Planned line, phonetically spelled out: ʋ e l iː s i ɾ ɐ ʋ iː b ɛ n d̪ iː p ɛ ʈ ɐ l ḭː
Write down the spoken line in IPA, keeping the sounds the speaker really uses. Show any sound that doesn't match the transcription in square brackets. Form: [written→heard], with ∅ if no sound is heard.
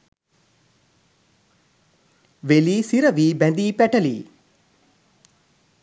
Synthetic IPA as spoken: ʋ e l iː s i ɾ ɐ ʋ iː b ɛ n d̪ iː p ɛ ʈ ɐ l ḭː